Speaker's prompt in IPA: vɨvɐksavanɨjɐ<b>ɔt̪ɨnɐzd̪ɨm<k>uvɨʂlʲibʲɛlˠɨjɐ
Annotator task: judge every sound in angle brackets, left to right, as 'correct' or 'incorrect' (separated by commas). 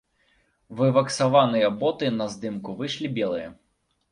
correct, correct